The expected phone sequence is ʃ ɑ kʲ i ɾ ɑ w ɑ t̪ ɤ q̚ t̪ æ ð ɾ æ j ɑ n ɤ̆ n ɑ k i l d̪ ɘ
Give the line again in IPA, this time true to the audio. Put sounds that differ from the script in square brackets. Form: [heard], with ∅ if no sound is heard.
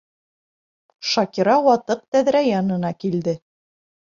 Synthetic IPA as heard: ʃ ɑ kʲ i ɾ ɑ w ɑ t̪ ɤ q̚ t̪ æ ð ɾ æ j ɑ n ɤ̆ n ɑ k i l d̪ ɘ